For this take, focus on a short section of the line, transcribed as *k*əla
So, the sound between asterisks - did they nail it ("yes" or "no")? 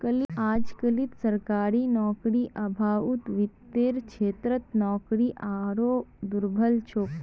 yes